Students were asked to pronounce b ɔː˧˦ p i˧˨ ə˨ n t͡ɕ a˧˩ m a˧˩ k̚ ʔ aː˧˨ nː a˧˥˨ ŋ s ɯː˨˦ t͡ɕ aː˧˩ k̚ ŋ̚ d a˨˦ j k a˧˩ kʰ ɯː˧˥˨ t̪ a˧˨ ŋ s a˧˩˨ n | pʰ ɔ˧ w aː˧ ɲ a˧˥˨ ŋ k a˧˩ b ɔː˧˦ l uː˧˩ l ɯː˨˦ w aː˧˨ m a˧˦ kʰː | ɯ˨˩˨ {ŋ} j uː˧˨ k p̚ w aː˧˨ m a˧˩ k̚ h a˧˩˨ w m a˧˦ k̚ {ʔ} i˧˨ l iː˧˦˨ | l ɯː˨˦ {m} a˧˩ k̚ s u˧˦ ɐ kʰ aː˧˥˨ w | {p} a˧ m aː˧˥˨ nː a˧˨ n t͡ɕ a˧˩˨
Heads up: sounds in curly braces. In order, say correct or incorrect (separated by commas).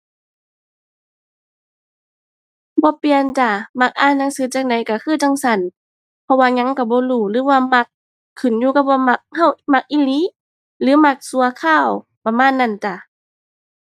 incorrect, correct, correct, correct